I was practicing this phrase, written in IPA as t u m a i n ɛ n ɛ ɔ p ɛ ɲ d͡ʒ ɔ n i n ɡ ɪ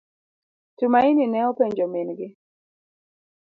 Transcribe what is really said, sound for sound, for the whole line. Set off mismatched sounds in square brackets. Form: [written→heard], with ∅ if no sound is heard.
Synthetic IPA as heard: t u m a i n [ɛ→i] n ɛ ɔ p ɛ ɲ d͡ʒ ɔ [n→m] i n ɡ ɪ